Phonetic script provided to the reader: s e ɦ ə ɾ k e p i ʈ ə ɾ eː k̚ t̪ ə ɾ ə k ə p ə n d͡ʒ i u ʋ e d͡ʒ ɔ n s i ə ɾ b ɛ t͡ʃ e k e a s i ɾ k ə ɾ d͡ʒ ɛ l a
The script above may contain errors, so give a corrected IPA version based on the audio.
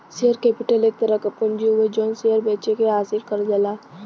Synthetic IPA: s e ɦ ə ɾ k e p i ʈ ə l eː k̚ t̪ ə ɾ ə k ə p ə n d͡ʒ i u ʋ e d͡ʒ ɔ n s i ə ɾ b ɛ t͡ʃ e k e a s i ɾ k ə ɾ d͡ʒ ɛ l a